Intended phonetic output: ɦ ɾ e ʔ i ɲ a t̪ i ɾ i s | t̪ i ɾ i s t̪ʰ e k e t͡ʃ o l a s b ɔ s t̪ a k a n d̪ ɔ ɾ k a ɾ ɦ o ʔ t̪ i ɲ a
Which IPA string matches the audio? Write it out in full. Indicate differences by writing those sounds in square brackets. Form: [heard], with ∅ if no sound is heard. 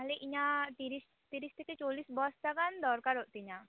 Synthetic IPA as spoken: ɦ [l] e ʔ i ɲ a t̪ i ɾ i s | t̪ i ɾ i s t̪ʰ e k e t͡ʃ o l [i] s b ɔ s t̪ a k a n d̪ ɔ ɾ k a ɾ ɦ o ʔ t̪ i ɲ a